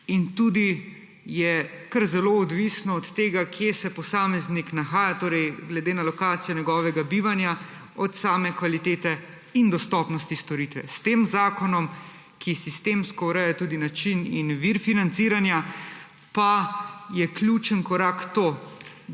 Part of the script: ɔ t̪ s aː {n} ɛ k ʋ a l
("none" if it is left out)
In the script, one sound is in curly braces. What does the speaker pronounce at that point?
m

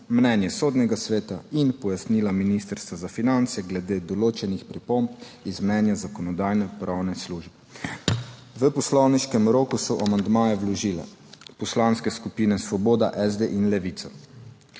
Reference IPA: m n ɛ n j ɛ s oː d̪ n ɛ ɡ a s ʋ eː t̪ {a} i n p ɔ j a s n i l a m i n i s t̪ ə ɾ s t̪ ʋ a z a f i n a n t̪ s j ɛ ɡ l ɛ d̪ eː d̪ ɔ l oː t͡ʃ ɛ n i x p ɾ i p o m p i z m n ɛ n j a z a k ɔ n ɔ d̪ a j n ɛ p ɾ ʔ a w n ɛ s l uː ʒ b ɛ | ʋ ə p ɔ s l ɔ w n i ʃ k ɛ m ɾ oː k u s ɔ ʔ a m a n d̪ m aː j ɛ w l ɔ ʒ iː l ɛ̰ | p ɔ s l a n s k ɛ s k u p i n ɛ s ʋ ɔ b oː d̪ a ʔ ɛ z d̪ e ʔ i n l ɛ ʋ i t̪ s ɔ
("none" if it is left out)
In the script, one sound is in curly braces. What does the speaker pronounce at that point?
a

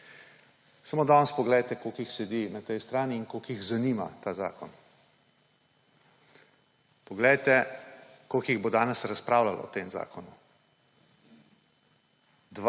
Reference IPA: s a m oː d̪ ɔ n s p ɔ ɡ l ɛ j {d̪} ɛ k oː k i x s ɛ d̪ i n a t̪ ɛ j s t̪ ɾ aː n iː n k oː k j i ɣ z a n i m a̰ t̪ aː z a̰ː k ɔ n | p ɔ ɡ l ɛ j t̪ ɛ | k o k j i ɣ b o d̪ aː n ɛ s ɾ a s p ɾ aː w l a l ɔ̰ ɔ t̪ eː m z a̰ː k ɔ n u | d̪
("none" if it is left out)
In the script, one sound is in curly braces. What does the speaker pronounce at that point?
t̪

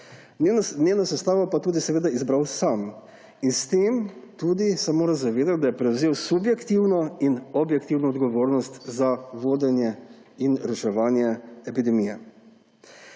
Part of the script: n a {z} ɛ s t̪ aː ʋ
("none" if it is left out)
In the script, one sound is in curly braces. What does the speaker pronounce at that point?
s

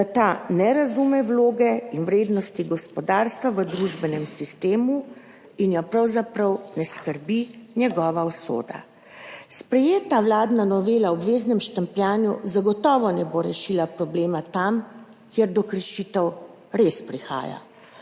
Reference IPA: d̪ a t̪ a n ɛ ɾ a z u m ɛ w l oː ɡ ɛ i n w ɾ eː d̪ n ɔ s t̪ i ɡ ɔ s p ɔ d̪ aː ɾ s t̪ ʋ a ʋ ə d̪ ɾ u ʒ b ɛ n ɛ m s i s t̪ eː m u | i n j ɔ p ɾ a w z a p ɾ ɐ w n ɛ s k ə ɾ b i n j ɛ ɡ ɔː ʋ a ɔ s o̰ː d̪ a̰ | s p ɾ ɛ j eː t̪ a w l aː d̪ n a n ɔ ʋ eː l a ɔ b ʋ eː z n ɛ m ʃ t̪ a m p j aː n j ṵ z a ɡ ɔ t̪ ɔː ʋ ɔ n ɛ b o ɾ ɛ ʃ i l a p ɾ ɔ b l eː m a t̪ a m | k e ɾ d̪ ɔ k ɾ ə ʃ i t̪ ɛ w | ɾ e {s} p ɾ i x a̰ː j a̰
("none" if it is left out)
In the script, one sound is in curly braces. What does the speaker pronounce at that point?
s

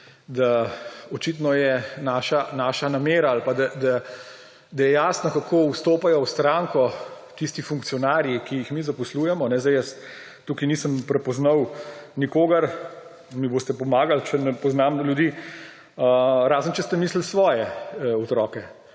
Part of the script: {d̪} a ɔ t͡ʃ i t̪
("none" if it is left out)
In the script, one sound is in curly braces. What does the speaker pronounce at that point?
d̪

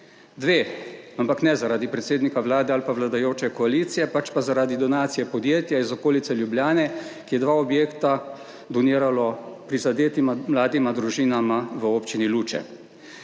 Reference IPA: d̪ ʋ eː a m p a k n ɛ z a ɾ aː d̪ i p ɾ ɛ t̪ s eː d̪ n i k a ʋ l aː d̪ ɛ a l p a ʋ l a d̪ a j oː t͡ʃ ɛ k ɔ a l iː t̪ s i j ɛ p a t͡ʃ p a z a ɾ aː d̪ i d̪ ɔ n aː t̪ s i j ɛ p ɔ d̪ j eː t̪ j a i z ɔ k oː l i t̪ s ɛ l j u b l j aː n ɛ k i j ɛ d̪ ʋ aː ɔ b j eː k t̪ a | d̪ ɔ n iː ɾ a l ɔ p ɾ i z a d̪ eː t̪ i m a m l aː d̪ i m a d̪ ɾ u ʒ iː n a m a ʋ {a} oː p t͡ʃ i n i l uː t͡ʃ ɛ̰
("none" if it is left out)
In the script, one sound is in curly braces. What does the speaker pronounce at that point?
ə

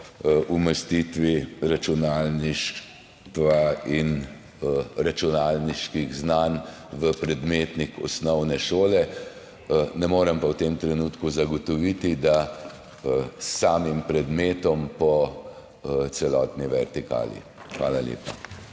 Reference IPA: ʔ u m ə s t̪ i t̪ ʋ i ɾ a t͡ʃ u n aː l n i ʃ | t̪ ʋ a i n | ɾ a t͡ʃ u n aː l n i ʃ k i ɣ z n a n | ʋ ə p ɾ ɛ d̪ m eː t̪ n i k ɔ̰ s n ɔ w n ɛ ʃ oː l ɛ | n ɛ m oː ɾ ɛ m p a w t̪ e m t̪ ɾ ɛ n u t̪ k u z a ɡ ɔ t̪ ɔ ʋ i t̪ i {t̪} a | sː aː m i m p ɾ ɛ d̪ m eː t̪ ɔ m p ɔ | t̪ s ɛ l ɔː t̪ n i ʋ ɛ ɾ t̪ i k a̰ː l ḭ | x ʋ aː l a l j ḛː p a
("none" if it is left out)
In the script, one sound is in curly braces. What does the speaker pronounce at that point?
d̪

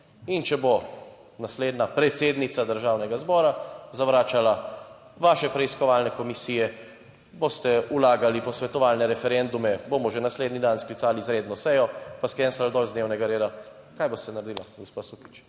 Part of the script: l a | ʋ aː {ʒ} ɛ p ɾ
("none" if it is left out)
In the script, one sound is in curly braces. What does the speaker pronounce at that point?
ʃ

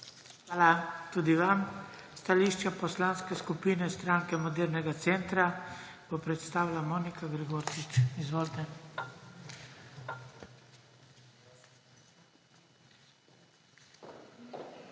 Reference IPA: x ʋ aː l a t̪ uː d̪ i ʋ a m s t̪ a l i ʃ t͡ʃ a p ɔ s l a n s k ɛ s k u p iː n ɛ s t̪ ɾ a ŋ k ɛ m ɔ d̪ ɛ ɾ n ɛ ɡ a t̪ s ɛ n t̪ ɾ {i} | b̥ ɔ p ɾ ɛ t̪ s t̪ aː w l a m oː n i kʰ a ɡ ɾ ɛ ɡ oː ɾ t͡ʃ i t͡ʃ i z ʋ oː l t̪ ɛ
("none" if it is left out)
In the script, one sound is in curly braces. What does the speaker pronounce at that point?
a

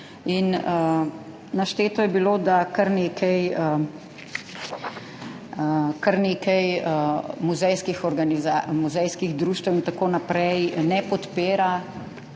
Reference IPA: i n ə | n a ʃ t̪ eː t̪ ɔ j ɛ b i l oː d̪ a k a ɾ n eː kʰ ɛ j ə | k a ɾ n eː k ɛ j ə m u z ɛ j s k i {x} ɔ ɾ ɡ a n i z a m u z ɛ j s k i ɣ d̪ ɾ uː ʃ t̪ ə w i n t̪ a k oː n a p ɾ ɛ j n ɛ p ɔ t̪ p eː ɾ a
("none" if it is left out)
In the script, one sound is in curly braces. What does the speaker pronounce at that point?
x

